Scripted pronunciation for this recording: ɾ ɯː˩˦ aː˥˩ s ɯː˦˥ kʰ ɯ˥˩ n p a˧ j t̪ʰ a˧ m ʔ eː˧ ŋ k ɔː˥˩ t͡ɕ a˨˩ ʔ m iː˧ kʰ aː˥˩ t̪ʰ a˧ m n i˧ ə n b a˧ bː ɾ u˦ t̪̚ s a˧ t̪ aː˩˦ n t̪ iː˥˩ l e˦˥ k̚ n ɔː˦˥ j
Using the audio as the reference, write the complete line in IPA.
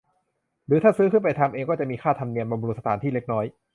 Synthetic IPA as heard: ɾ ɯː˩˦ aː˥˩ s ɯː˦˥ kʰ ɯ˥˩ n p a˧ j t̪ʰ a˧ m ʔ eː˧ ŋ k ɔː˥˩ t͡ɕ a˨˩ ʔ m iː˧ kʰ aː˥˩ t̪ʰ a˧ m n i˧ ə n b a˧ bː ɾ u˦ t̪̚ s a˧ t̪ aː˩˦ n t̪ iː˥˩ l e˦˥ k̚ n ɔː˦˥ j